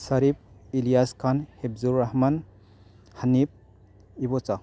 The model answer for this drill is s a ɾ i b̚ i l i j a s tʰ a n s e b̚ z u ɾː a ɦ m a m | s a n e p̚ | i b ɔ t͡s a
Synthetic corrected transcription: s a ɾ i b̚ i l i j a s kʰ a n h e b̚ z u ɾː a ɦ m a n | h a n i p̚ | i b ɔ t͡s a